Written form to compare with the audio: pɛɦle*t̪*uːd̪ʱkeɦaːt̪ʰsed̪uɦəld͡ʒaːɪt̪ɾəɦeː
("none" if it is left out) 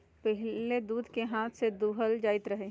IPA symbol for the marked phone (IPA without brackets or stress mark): d̪